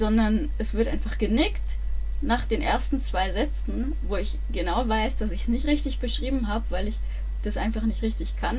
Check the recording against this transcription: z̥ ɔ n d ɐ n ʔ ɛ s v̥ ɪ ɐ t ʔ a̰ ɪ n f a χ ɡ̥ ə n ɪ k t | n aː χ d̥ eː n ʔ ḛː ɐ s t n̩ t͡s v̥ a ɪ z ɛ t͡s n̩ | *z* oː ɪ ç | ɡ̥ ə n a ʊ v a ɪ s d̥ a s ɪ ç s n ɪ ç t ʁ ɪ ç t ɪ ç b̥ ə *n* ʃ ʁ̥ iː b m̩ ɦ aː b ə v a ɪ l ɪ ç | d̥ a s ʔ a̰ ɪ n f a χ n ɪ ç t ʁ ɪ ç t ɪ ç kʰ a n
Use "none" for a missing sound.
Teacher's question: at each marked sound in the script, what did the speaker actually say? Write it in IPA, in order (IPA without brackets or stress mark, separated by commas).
v, none